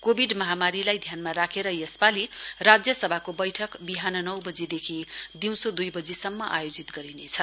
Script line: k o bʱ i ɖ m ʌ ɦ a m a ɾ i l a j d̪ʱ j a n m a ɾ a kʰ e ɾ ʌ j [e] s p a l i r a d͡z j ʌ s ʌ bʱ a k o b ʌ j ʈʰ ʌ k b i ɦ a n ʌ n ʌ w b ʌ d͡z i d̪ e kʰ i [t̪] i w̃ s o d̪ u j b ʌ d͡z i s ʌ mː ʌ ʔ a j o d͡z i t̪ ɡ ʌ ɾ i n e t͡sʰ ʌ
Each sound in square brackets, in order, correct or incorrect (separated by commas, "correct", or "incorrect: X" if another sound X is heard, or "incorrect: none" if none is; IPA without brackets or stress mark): correct, incorrect: d̪